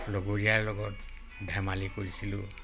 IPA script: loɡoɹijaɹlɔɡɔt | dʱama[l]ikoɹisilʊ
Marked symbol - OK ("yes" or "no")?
yes